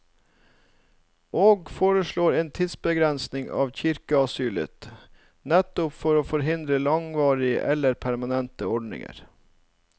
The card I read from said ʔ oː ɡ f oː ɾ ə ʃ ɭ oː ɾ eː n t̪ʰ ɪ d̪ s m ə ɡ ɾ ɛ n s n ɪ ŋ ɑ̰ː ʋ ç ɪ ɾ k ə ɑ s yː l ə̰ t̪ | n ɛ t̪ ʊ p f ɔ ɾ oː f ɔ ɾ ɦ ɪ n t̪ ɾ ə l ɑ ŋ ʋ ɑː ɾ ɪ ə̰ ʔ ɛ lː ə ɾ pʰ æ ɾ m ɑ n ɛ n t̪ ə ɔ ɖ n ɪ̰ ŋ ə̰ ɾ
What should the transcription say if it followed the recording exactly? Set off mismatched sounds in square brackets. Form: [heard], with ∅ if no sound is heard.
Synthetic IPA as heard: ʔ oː ɡ f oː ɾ ə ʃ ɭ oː ɾ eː n t̪ʰ ɪ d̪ s [b] ə ɡ ɾ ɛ n s n ɪ ŋ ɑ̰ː ʋ ç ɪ ɾ k ə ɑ s yː l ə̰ t̪ | n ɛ t̪ ʊ p f ɔ ɾ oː f ɔ ɾ ɦ ɪ n [d̪] ɾ ə l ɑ ŋ ʋ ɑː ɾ ɪ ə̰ ʔ ɛ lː ə ɾ pʰ æ ɾ m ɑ n ɛ n t̪ ə ɔ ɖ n ɪ̰ ŋ ə̰ ɾ